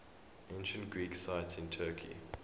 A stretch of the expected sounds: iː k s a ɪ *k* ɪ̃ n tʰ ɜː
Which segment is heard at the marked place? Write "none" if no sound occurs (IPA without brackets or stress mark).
t